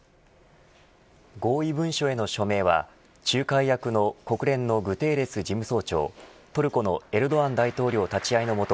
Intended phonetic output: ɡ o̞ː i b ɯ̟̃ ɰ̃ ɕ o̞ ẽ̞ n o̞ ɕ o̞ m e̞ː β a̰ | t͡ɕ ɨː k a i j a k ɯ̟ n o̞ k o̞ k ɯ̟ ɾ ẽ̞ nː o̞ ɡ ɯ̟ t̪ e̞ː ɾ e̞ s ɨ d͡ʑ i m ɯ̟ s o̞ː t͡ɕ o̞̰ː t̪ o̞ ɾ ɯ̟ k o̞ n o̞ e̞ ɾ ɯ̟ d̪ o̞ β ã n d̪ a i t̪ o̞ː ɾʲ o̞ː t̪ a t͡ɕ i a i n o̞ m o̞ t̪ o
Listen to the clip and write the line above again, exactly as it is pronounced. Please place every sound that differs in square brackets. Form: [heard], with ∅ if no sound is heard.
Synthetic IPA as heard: ɡ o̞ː i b ɯ̟̃ ɰ̃ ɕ o̞ [e̞] n o̞ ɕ o̞ m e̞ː β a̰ | t͡ɕ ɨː k a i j a k ɯ̟ n o̞ k o̞ k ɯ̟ ɾ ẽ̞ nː o̞ ɡ ɯ̟ t̪ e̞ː ɾ e̞ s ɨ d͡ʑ i m ɯ̟ s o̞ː t͡ɕ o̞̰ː t̪ o̞ ɾ ɯ̟ k o̞ n o̞ e̞ ɾ ɯ̟ d̪ o̞ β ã n d̪ a i t̪ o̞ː ɾʲ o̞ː t̪ a t͡ɕ i a i n o̞ m o̞ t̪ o

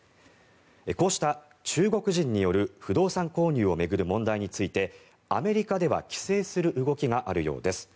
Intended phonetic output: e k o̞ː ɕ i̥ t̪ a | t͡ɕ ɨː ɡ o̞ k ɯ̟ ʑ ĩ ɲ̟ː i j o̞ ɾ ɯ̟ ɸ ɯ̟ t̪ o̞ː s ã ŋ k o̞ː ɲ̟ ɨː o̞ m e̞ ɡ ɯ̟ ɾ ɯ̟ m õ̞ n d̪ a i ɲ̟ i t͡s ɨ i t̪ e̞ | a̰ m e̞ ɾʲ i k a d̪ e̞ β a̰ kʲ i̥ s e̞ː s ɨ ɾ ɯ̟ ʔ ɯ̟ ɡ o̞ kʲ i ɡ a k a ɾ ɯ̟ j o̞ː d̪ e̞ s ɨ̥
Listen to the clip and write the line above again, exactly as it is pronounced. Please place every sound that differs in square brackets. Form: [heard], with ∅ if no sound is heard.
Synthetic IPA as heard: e k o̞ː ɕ i̥ t̪ a | t͡ɕ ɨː ɡ o̞ k ɯ̟ ʑ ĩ ɲ̟ː i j o̞ ɾ ɯ̟ ɸ ɯ̟ [d̪] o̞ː s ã ŋ k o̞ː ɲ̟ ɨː o̞ m e̞ ɡ ɯ̟ ɾ ɯ̟ m õ̞ n d̪ a i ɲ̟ i t͡s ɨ i t̪ e̞ | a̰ m e̞ ɾʲ i k a d̪ e̞ β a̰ kʲ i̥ s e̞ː s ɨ ɾ ɯ̟ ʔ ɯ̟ ɡ o̞ kʲ i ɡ a [ʔ] a ɾ ɯ̟ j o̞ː d̪ e̞ s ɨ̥

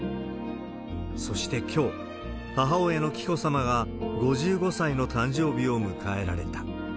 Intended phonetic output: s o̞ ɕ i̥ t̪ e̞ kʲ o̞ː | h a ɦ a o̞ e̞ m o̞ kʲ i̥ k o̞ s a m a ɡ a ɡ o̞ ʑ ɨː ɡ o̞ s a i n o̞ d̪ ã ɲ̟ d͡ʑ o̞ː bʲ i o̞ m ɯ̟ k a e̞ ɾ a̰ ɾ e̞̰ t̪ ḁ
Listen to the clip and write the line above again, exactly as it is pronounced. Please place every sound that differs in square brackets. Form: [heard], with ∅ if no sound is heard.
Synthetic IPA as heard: s o̞ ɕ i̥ t̪ e̞ kʲ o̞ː | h a ɦ a o̞ e̞ [n] o̞ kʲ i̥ k o̞ s a m a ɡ a ɡ o̞ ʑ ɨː ɡ o̞ s a i n o̞ [t̪] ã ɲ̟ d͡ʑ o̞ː bʲ i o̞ m ɯ̟ k a e̞ ɾ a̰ ɾ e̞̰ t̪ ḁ

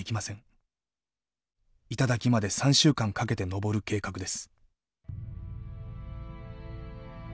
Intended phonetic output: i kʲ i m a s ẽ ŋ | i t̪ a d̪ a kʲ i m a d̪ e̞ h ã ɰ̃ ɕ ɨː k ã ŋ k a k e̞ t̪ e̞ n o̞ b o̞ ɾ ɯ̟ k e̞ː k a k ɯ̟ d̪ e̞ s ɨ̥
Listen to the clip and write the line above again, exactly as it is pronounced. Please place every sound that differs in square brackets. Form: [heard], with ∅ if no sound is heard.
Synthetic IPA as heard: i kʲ i m a s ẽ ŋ | i t̪ a d̪ a kʲ i m a d̪ e̞ [s] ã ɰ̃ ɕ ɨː k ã ŋ k a k e̞ t̪ e̞ n o̞ b o̞ ɾ ɯ̟ k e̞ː k a k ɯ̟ d̪ e̞ s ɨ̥

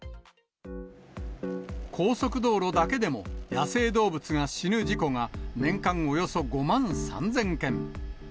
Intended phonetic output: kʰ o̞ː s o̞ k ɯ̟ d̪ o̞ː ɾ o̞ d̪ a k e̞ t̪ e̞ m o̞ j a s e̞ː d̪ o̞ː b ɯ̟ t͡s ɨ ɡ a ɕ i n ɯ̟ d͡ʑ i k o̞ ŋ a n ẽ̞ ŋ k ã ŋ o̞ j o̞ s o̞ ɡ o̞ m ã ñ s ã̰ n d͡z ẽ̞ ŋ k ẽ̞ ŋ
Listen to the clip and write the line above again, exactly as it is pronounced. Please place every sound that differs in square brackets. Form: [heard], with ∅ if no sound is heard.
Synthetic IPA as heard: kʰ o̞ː s o̞ k ɯ̟ d̪ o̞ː ɾ o̞ d̪ a k e̞ [d̪] e̞ m o̞ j a s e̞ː d̪ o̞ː b ɯ̟ t͡s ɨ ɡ a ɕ i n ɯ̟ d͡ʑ i k o̞ ŋ a n ẽ̞ ŋ k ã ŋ o̞ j o̞ s o̞ ɡ o̞ m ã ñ s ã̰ n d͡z ẽ̞ ŋ k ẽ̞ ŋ

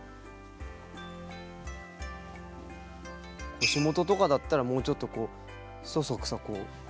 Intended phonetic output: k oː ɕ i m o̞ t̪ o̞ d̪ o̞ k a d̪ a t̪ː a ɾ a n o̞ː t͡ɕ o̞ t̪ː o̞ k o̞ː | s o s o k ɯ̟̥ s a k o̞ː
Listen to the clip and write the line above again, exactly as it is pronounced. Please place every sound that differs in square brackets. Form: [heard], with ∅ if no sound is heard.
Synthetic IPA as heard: k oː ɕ i m o̞ t̪ o̞ [t̪] o̞ k a d̪ a t̪ː a ɾ a [m] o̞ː t͡ɕ o̞ t̪ː o̞ k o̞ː | s o s o k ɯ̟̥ s a k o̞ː

